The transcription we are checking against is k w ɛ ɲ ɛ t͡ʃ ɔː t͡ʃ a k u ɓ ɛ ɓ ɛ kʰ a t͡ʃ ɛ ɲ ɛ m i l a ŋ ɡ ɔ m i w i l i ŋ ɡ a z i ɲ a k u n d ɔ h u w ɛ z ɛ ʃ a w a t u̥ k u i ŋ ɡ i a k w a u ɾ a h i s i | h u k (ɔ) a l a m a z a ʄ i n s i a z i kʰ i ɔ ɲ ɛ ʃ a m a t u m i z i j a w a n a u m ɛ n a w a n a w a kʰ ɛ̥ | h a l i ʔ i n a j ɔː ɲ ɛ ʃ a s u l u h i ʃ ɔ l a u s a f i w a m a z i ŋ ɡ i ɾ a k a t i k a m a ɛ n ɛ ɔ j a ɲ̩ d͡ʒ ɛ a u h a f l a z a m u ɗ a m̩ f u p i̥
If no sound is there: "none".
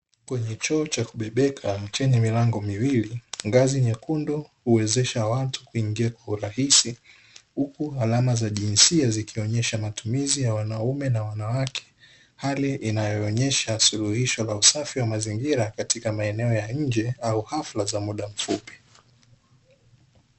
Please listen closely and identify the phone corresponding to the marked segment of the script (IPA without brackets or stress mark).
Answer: u